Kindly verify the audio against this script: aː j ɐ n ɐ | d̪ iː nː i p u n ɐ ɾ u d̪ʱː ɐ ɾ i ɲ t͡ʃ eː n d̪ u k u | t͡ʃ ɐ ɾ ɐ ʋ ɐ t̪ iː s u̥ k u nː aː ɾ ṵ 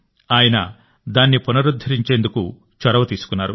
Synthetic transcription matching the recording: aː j ɐ n ɐ | d̪ aː nː i p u n ɐ ɾ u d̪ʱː ɐ ɾ i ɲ t͡ʃ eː n d̪ u k u | t͡ʃ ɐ ɾ ɐ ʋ ɐ t̪ iː s u̥ k u nː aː ɾ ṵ